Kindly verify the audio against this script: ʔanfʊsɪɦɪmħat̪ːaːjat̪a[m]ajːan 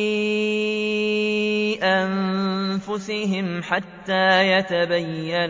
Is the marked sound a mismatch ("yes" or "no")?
yes